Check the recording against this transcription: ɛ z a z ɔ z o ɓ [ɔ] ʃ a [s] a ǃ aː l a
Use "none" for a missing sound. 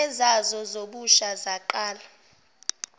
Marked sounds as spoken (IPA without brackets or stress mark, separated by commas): u, z